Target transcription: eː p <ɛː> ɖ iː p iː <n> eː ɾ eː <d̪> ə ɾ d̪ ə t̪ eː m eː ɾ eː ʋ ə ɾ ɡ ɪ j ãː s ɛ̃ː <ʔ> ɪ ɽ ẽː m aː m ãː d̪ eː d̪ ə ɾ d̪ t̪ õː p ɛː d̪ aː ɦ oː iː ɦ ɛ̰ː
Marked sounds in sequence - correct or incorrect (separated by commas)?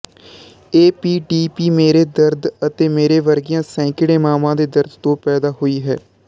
incorrect, incorrect, correct, incorrect